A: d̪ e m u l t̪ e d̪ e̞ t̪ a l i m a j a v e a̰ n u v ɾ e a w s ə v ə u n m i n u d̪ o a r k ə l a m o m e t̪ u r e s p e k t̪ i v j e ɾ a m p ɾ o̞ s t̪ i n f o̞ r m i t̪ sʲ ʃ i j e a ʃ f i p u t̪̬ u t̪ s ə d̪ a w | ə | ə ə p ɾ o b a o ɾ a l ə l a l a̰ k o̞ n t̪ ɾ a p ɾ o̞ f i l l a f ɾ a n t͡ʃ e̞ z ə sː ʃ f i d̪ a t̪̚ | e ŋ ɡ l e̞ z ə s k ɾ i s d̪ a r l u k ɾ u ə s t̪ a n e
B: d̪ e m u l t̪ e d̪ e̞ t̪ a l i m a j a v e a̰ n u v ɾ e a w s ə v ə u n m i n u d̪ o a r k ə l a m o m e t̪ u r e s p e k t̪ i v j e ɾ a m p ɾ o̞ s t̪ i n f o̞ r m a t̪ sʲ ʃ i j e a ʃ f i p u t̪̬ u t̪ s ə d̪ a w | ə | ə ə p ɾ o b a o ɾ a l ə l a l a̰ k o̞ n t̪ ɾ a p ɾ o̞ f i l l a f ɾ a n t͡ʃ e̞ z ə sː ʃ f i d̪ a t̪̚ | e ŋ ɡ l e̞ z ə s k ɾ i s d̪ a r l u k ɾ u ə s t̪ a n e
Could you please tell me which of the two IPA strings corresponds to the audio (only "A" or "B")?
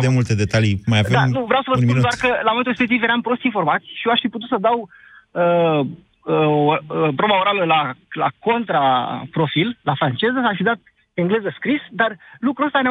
B